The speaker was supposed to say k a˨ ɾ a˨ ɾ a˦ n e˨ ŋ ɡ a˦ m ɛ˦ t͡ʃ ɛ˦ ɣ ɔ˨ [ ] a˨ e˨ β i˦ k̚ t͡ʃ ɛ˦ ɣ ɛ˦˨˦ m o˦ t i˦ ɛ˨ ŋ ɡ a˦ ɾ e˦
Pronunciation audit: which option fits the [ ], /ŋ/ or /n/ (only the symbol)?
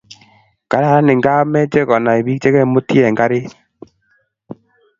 n